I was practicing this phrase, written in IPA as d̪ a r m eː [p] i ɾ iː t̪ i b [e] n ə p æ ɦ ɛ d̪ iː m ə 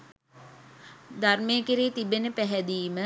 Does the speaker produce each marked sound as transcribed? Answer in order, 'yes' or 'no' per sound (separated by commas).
no, yes